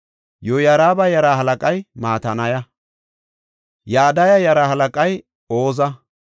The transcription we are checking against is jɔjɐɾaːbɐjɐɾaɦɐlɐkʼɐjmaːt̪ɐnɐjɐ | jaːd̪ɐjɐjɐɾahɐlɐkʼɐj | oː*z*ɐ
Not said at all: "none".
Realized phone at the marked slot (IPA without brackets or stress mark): z